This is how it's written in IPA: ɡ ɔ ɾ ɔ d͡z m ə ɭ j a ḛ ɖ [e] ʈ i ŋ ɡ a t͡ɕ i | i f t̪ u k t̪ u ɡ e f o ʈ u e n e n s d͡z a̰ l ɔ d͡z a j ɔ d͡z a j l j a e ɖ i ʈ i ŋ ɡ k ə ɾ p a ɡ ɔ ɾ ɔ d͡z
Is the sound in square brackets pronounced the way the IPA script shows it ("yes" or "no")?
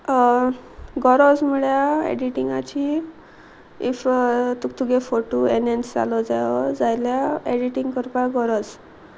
no